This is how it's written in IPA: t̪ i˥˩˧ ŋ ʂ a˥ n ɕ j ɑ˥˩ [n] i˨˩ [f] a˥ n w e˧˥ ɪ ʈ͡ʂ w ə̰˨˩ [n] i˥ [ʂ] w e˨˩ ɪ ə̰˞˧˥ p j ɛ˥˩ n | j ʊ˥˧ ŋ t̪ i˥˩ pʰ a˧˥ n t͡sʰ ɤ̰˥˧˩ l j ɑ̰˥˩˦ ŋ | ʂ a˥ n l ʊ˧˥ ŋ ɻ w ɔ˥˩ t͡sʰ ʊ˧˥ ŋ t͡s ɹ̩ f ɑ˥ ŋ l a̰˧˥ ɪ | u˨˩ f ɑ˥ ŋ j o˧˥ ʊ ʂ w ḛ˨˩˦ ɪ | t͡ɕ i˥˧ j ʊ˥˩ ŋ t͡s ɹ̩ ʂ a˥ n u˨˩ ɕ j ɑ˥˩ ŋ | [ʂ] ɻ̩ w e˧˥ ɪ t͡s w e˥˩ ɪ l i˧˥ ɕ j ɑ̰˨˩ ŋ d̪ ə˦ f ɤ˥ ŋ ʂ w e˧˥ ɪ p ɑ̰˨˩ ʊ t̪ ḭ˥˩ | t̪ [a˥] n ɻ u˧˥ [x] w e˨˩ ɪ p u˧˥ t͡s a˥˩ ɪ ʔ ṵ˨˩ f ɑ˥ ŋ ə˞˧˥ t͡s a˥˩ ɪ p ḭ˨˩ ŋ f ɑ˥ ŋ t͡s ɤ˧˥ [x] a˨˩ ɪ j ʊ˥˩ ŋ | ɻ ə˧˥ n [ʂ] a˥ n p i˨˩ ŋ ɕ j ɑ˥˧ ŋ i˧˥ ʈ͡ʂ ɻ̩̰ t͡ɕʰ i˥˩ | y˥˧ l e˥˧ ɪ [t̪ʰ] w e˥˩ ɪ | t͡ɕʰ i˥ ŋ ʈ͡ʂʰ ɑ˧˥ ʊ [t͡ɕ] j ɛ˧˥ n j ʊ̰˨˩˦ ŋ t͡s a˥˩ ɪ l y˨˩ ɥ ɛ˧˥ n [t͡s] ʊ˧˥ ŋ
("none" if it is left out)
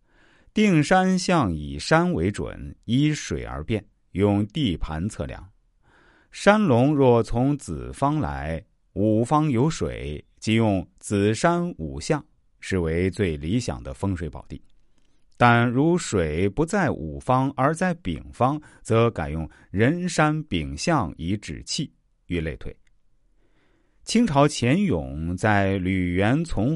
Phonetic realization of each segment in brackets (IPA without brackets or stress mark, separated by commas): ŋ, ʂ, n, ʂ, ʂ, a˥˩, ʂ, k, ʂ, t̪ʰ, t͡ɕʰ, t͡sʰ